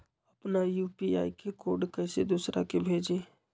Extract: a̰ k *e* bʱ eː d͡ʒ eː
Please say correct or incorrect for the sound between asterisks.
correct